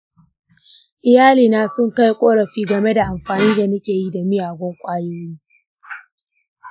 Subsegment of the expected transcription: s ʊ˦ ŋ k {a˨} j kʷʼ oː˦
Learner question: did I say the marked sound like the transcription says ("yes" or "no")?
no